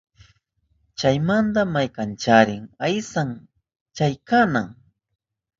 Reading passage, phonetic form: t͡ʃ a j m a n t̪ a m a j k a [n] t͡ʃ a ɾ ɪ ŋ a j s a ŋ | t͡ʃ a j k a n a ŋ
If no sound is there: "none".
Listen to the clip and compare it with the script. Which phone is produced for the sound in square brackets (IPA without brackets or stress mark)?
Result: n